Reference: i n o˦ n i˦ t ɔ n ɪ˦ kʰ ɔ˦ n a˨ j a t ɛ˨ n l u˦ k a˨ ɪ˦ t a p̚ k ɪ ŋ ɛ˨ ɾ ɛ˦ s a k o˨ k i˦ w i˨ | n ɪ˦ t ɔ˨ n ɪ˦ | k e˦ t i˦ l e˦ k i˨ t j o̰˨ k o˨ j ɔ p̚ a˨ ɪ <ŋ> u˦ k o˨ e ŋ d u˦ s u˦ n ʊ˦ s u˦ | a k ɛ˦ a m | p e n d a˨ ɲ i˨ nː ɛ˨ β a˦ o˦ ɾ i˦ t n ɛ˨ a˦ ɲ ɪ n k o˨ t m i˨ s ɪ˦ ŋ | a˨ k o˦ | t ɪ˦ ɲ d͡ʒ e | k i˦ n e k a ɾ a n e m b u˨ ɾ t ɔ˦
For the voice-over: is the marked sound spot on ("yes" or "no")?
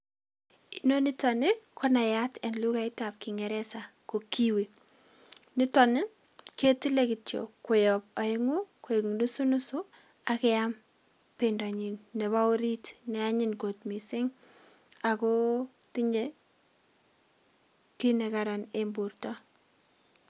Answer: yes